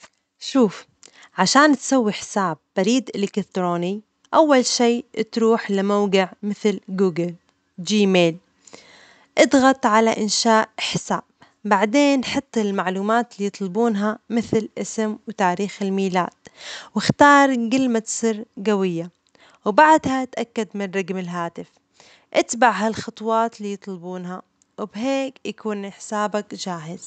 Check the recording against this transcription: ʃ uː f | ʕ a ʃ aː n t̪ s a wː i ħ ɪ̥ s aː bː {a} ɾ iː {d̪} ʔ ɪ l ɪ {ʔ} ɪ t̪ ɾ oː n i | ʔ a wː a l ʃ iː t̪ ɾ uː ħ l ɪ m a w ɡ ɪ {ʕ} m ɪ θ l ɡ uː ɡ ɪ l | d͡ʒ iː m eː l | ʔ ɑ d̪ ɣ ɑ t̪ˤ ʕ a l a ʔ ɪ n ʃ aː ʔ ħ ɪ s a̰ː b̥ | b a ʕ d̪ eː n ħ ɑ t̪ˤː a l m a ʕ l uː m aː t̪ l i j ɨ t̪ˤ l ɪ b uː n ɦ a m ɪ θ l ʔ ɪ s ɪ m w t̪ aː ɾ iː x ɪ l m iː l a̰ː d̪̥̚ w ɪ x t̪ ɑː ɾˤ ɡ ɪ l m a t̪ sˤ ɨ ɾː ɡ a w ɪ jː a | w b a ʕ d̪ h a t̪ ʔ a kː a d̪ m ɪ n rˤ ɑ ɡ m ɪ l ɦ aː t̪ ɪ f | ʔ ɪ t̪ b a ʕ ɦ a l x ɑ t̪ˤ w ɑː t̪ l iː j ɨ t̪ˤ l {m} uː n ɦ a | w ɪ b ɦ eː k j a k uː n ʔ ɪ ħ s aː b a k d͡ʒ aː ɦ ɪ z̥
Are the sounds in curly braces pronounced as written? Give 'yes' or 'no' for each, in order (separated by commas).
yes, yes, no, yes, no